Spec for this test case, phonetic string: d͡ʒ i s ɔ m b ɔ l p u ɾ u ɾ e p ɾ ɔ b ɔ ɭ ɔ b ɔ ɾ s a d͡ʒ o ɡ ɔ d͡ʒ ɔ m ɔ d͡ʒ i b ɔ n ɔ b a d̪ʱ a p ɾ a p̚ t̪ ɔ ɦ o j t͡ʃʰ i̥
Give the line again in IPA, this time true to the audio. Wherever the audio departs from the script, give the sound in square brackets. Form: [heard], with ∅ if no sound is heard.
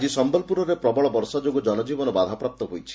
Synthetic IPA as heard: d͡ʒ i s ɔ m b ɔ l p u ɾ [ɔ] ɾ e p ɾ ɔ b ɔ ɭ ɔ b ɔ ɾ s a d͡ʒ o ɡ ɔ d͡ʒ ɔ [n] ɔ d͡ʒ i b ɔ n ɔ b a d̪ʱ a p ɾ a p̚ t̪ ɔ ɦ o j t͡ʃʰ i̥